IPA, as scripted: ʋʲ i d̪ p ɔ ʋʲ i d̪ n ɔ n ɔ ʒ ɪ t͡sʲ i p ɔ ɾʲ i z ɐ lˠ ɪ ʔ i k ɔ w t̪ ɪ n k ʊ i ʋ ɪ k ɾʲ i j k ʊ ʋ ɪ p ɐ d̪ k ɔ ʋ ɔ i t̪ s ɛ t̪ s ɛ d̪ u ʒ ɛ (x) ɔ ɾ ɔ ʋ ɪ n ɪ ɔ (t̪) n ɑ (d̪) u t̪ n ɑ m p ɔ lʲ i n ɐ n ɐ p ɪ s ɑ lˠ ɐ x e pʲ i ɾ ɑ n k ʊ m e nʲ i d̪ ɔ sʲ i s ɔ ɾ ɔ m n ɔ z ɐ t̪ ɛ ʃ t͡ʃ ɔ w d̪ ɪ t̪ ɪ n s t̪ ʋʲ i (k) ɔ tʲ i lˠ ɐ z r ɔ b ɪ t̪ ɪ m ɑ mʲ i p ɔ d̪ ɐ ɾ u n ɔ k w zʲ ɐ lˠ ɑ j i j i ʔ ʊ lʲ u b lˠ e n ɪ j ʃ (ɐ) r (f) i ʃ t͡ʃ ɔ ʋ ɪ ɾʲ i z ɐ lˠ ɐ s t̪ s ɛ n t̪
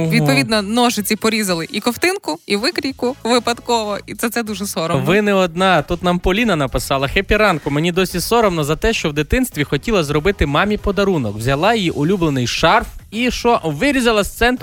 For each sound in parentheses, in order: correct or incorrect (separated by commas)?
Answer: incorrect, incorrect, incorrect, incorrect, incorrect, correct